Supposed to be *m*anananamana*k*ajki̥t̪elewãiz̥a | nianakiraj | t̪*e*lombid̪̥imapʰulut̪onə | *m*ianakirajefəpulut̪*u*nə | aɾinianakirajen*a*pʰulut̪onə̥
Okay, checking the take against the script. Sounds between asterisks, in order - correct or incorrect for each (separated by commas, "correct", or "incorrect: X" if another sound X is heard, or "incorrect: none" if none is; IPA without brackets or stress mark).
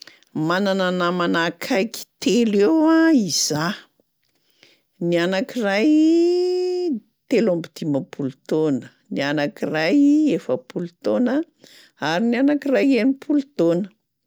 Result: correct, incorrect: kʰ, correct, incorrect: n, incorrect: o, incorrect: i